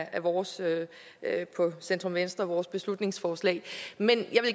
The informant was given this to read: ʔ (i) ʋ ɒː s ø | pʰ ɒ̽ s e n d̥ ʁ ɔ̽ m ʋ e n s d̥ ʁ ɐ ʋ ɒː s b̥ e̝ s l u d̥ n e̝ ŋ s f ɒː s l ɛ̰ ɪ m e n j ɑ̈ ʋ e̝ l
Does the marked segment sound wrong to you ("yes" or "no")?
yes